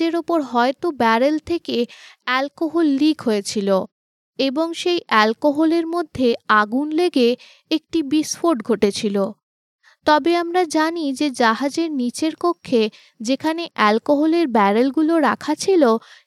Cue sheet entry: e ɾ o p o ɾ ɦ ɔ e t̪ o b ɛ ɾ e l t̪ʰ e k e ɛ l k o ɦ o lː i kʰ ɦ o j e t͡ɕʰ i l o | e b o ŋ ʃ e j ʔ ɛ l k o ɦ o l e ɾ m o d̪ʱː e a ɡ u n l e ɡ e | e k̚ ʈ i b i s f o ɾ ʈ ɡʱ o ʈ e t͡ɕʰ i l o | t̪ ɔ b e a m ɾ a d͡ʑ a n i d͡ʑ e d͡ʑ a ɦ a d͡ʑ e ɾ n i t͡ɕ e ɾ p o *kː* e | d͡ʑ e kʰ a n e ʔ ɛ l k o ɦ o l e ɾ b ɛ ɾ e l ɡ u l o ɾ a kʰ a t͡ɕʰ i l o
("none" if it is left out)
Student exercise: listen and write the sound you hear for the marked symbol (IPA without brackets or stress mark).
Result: kʰː